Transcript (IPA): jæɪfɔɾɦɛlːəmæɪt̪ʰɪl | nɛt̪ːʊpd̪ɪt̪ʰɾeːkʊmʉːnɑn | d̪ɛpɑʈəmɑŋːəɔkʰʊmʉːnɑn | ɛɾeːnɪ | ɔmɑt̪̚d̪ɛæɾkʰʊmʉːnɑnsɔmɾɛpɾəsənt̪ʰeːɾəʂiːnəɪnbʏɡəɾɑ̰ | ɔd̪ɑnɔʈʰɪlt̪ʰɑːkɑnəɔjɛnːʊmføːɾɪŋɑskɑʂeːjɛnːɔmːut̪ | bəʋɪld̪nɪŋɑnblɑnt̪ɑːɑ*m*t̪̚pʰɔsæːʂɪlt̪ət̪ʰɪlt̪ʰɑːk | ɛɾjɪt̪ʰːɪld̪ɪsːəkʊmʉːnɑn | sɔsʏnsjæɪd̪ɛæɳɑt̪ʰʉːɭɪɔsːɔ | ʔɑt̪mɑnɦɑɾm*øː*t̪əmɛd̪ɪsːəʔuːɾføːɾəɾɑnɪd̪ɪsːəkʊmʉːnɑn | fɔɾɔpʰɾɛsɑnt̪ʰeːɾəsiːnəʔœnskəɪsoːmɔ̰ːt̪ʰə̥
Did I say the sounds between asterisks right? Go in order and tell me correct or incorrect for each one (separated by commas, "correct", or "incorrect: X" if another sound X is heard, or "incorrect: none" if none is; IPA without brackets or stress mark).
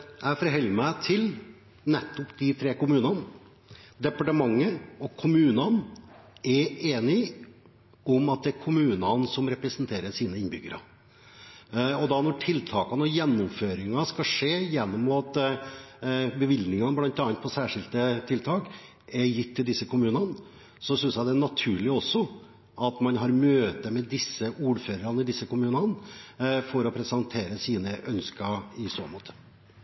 incorrect: n, correct